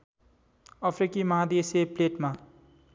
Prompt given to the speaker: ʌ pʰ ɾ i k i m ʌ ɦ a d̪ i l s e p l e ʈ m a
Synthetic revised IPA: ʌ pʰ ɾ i k i m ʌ ɦ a d̪ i s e p l e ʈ m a